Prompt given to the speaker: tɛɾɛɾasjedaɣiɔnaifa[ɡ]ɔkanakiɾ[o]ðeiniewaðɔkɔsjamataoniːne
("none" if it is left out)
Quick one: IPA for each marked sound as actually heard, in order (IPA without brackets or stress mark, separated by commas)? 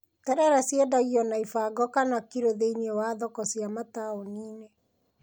ɡ, o